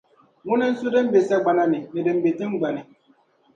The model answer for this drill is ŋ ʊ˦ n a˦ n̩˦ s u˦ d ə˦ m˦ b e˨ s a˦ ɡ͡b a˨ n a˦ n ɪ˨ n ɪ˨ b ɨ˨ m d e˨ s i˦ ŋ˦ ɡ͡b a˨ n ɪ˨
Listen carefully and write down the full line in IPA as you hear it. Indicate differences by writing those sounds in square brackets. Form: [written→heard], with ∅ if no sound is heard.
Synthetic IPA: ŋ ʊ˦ n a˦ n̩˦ s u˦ d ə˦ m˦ b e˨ s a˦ ɡ͡b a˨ n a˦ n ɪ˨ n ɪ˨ [b→d] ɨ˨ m [d→b] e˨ [s→t] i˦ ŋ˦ ɡ͡b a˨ n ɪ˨

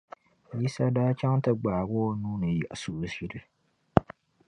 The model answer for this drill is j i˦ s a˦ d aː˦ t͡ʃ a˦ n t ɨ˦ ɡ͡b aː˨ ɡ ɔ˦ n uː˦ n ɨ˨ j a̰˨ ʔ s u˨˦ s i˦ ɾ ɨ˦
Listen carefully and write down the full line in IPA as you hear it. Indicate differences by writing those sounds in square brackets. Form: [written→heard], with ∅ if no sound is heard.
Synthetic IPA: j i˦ s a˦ d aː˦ t͡ʃ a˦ [n→ŋ] t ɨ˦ ɡ͡b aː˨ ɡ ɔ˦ n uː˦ n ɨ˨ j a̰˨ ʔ s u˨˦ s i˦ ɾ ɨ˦

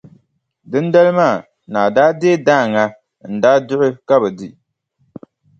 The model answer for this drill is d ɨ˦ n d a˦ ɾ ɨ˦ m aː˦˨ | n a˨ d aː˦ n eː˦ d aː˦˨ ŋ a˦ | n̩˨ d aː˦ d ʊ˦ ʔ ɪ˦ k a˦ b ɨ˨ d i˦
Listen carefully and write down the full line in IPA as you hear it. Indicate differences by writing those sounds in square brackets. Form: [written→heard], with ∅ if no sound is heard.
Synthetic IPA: d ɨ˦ n d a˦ [ɾ→l] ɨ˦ m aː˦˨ | n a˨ d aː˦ [n→d] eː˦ d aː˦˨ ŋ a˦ | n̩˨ d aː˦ d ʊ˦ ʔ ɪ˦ k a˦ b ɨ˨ d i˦

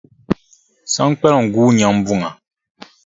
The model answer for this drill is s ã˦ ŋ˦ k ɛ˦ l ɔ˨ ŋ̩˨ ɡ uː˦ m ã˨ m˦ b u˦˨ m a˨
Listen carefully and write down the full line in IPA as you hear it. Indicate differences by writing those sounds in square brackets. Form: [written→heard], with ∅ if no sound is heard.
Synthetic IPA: s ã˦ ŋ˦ [k→k͡p] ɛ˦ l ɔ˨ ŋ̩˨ ɡ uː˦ [m→ɲ] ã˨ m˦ b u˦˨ [m→ŋ] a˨

